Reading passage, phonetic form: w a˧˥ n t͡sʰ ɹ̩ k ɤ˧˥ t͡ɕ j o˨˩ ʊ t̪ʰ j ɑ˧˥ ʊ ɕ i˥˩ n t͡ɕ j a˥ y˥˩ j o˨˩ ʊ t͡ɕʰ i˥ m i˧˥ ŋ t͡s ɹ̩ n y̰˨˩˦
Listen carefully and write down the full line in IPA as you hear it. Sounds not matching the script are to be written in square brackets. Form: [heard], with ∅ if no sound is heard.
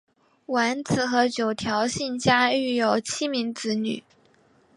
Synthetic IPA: w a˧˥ n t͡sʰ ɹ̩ [x] ɤ˧˥ t͡ɕ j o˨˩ ʊ t̪ʰ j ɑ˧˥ ʊ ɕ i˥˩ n t͡ɕ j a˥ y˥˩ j o˨˩ ʊ t͡ɕʰ i˥ m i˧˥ ŋ t͡s ɹ̩ n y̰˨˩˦